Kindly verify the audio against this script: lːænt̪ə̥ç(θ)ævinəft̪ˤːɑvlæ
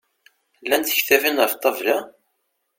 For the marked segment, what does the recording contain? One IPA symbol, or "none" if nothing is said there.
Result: θ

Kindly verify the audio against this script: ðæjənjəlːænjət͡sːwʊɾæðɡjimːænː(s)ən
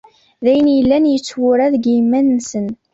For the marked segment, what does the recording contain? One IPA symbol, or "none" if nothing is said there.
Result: s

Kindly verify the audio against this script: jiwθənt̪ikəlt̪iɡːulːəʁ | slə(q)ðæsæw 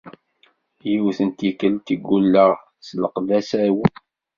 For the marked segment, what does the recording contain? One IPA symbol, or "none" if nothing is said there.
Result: q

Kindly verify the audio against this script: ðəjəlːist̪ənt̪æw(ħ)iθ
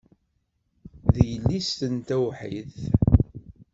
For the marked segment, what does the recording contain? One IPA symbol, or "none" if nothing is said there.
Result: ħ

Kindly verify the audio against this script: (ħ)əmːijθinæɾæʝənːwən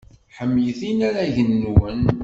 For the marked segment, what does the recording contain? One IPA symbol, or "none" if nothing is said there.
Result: ħ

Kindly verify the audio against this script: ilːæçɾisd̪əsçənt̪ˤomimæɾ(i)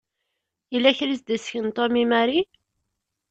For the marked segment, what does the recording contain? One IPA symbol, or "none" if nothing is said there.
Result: i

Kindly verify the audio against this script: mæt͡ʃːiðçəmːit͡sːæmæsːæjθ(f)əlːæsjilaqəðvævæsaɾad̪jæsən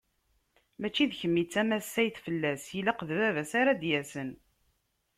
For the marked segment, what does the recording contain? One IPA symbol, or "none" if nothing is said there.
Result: f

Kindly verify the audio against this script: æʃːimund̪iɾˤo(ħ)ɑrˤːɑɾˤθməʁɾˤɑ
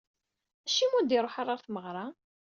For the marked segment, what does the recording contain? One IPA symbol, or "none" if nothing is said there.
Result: ħ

